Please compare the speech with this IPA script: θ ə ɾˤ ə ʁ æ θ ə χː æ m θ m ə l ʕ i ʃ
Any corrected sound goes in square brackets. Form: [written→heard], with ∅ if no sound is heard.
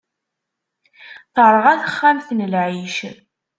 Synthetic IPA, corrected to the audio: θ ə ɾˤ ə ʁ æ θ ə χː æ m θ [m→n] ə l ʕ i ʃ